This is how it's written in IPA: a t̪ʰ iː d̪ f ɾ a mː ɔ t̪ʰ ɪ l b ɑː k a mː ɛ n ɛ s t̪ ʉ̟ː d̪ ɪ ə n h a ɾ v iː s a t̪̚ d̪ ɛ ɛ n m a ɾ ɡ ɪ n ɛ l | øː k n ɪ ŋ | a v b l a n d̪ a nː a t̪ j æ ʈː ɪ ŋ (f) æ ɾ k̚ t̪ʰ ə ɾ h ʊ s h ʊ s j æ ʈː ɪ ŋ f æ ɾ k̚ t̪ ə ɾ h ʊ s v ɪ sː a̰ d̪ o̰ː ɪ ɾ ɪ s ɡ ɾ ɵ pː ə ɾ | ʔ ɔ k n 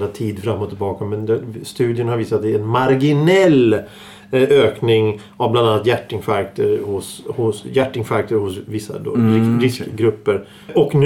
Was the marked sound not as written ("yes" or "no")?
no